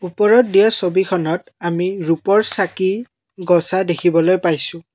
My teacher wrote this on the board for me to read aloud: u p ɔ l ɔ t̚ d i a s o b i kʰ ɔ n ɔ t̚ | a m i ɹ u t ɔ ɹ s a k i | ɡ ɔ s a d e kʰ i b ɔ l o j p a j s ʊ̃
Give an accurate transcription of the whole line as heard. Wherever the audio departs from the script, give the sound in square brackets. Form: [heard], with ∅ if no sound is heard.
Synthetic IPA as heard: u p ɔ [ɹ] ɔ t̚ d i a s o b i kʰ ɔ n ɔ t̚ | a m i ɹ u [p] ɔ ɹ s a k i | ɡ ɔ s a d e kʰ i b ɔ l o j p a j s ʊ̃

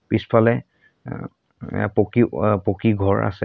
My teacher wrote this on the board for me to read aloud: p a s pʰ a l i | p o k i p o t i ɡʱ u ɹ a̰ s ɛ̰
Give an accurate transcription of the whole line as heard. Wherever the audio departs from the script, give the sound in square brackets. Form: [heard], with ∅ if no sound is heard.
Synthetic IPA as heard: p [i] s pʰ a l [ɛ] | p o k i p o [k] i ɡʱ [ɔ] ɹ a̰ s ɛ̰

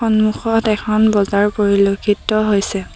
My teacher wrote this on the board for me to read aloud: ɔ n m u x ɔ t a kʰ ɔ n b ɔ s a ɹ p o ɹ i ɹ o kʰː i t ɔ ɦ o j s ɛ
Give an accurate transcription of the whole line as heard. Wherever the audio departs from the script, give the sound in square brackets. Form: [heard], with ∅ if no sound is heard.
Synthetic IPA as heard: ɔ n m u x ɔ t [ɛ] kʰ ɔ n b ɔ [z] a ɹ p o ɹ i [l] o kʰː i t ɔ ɦ o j s ɛ

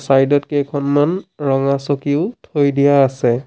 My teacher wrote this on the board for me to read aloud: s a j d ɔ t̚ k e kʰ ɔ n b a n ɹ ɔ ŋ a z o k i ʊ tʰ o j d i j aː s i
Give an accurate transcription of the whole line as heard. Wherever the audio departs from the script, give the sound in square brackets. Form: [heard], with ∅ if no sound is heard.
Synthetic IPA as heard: s a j d ɔ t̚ k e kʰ ɔ n [m] a n ɹ ɔ ŋ a [s] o k i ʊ tʰ o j d i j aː s [ɛ]

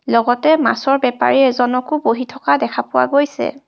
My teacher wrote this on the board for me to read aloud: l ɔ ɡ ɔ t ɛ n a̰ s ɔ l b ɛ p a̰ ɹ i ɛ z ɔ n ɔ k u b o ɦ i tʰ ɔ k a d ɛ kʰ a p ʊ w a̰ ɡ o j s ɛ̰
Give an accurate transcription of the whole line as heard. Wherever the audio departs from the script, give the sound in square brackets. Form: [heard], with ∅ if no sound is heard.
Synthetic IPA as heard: l ɔ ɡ ɔ t ɛ [m] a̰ s ɔ [ɹ] b ɛ p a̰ ɹ i ɛ z ɔ n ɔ k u b o ɦ i tʰ ɔ k a d ɛ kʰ a p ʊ w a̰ ɡ o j s ɛ̰

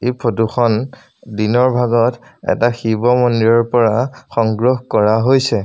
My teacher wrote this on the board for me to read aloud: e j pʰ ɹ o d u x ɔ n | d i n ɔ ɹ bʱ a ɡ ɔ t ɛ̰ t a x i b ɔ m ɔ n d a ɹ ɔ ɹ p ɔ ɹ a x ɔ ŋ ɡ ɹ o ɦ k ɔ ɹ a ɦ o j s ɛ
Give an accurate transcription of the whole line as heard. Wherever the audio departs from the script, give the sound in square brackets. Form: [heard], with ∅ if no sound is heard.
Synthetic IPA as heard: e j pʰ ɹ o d u x ɔ n | d i n ɔ ɹ bʱ a ɡ ɔ t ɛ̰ t a x i b ɔ m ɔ n d [i] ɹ ɔ ɹ p ɔ ɹ a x ɔ ŋ ɡ ɹ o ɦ k ɔ ɹ a ɦ o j s ɛ

